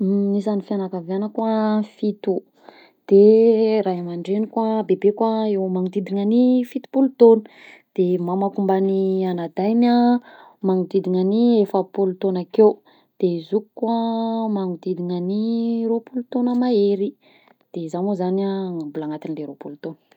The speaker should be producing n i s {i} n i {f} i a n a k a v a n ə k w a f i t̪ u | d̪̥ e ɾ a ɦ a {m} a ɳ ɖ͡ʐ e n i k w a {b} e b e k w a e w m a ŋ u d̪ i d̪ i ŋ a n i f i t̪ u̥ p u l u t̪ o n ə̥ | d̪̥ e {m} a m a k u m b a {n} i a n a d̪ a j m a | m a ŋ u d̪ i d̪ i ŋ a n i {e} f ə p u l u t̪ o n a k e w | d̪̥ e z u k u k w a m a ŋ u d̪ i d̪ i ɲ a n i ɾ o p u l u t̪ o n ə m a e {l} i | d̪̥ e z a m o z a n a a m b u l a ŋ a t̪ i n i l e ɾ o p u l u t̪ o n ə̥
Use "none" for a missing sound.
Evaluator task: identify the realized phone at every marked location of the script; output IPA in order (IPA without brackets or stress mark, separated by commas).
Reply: a, f, m, b, m, n, e, ɾ